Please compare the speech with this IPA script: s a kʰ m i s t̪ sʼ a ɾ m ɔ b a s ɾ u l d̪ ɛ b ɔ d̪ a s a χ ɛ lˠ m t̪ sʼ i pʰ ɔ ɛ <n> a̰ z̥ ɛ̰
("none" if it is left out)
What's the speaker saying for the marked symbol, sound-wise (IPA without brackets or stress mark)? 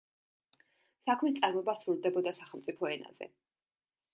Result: n